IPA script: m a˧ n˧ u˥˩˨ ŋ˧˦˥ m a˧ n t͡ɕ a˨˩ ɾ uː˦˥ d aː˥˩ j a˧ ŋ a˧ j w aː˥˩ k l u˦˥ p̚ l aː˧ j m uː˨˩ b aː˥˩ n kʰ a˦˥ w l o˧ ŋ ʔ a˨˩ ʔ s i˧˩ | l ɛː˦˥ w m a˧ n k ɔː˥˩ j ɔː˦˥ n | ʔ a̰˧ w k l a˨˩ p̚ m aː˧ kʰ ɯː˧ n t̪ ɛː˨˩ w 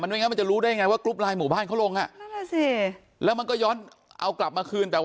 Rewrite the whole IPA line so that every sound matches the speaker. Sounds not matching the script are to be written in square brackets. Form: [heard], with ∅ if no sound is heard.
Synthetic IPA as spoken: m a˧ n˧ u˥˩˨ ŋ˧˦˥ m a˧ n t͡ɕ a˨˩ ɾ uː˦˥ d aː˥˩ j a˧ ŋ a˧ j w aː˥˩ k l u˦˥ p̚ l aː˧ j m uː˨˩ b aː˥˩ n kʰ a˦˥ w l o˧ ŋ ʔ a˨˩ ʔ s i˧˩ | l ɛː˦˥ w m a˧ n k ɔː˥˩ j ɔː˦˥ n | ʔ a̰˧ w k l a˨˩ p̚ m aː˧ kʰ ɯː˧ n t̪ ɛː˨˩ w